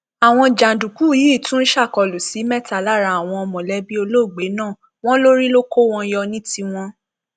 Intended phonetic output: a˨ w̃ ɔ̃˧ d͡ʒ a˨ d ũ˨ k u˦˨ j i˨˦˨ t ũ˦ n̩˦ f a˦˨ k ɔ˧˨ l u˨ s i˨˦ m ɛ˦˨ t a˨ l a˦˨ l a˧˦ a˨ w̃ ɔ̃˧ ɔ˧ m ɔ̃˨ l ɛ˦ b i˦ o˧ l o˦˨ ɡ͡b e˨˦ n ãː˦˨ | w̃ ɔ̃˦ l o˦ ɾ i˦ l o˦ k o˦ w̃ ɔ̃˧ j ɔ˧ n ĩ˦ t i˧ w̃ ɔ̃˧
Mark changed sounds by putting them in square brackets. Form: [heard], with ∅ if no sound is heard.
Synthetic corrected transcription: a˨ w̃ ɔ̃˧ d͡ʒ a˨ d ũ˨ k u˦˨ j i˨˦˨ t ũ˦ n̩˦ [ʃ] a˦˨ k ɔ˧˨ l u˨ s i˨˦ m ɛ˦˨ t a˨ l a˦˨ [ɾ] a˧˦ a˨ w̃ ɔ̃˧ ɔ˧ m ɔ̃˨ l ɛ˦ b i˦ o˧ l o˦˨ ɡ͡b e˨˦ n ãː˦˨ | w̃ ɔ̃˦ l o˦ ɾ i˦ l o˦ k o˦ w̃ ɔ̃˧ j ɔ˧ n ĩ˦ t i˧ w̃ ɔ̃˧